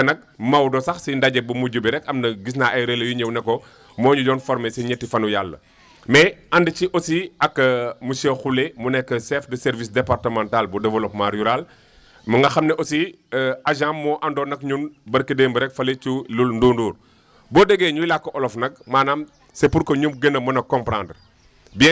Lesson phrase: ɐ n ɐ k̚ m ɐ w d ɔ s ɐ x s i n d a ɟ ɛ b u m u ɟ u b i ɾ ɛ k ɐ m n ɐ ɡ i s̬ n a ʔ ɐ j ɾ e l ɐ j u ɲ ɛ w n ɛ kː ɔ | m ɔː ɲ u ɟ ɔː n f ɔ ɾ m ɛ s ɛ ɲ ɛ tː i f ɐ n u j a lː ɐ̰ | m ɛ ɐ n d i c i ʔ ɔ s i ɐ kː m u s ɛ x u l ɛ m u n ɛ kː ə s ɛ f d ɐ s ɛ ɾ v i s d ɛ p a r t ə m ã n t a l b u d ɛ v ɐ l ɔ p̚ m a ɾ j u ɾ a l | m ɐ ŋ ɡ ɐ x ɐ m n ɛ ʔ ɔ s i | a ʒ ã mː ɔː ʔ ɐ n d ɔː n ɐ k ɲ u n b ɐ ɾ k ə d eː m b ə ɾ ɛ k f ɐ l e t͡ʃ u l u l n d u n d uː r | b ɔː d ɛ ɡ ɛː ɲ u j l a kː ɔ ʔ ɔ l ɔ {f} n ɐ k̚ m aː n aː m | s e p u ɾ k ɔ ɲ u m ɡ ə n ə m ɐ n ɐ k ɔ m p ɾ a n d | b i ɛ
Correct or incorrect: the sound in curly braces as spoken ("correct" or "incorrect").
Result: correct